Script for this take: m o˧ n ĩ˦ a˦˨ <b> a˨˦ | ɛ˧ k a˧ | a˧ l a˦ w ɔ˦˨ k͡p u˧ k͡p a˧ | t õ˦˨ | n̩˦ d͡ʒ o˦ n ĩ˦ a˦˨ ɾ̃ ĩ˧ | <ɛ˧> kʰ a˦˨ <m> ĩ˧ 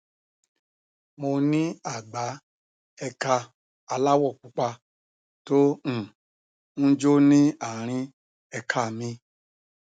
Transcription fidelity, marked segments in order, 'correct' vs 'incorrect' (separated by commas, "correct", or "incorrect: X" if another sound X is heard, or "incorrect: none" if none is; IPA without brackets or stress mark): incorrect: ɡ͡b, correct, correct